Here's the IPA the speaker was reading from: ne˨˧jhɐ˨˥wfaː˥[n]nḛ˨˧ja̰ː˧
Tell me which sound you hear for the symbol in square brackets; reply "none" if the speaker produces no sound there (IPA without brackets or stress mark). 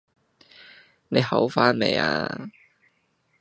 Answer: n